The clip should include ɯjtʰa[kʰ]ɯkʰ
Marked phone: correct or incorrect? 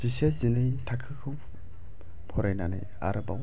correct